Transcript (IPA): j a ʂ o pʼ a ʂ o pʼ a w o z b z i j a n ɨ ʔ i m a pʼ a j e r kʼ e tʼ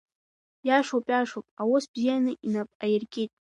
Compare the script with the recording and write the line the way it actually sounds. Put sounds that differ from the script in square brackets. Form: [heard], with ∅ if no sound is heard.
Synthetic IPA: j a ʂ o pʼ a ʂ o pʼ a w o [s] b z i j a n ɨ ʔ i [n] a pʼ a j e r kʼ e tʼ